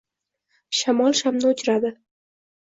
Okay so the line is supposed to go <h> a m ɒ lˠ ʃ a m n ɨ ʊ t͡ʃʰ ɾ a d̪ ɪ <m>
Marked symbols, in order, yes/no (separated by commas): no, no